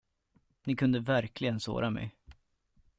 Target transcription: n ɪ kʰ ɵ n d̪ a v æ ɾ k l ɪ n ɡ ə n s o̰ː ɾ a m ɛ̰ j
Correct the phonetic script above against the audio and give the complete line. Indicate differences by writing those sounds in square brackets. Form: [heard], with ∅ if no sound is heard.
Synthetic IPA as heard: n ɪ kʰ ɵ n d̪ [ə] v æ ɾ k l ɪ [∅] ɡ ə n s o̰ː ɾ a m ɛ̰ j